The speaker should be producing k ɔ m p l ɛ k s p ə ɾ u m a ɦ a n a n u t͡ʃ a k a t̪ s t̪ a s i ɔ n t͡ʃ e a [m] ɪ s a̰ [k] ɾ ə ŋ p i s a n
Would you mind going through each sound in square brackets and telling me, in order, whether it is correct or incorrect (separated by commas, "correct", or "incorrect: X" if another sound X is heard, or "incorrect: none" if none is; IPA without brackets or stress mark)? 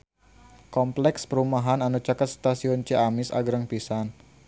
correct, incorrect: ɡ